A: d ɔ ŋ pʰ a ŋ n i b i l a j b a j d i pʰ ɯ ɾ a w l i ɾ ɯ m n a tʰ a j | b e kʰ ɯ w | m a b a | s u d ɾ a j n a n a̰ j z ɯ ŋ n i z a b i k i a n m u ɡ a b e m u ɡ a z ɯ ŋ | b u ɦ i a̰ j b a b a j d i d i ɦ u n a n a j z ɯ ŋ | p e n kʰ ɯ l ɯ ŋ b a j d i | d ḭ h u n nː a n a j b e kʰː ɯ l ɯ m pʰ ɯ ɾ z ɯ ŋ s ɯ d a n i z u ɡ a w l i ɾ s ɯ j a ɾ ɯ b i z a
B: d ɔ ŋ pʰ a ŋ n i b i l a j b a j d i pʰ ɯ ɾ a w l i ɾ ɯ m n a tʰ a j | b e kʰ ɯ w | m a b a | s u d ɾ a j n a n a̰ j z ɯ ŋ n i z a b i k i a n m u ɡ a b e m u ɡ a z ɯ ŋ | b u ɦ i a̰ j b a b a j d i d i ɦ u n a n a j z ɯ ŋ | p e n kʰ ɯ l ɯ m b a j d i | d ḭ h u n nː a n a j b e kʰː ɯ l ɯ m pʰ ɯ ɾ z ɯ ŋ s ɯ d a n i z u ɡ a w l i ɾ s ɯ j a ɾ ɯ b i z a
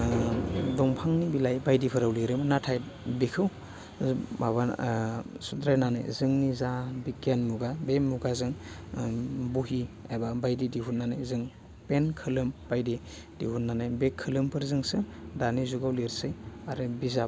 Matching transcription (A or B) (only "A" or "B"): B